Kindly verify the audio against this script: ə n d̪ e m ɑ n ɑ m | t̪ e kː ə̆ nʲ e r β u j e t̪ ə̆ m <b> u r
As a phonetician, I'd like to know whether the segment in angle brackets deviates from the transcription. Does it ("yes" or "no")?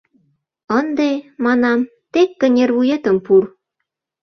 yes